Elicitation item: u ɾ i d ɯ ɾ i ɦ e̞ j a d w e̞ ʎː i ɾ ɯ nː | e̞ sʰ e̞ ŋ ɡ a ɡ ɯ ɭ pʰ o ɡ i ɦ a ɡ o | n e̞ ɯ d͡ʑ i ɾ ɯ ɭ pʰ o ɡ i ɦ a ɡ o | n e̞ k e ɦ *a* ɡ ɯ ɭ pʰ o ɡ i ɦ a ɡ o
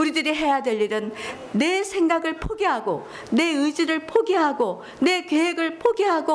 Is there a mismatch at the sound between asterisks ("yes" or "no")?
yes